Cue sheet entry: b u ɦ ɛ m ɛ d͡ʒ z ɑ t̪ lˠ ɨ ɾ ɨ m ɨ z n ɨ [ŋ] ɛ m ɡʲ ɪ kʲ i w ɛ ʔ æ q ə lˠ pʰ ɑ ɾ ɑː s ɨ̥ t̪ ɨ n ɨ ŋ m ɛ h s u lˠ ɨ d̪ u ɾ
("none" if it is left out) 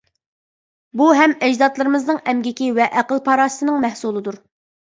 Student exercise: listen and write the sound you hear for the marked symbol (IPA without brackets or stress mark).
ŋ